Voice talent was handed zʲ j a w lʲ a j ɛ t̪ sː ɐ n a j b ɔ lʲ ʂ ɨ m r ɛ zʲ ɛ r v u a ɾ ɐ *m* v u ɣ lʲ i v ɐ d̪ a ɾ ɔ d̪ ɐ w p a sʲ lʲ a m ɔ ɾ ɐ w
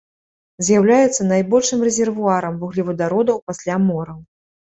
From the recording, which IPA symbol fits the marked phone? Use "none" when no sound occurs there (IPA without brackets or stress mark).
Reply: m